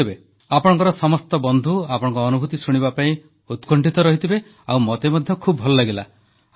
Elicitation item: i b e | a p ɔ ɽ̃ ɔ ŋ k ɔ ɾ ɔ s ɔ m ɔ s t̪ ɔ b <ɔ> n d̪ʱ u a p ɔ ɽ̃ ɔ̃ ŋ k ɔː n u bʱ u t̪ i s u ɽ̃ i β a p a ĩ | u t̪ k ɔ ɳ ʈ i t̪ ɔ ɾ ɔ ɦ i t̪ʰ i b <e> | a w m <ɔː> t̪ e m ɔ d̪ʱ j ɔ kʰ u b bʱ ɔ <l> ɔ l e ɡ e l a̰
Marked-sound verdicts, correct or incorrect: correct, correct, incorrect: ɔ, correct

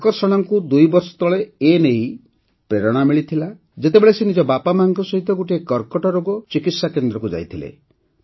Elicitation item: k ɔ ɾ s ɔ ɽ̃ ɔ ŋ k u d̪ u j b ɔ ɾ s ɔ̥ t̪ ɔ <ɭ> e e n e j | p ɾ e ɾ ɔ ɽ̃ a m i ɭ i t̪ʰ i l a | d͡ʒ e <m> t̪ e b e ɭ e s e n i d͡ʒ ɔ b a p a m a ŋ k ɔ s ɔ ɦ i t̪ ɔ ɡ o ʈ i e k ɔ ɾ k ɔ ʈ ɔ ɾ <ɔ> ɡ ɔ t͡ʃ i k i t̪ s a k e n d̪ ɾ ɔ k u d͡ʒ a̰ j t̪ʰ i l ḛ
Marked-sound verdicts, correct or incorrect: correct, incorrect: none, incorrect: o

